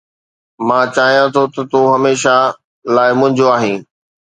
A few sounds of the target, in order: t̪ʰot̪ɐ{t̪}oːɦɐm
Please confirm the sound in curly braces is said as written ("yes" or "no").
yes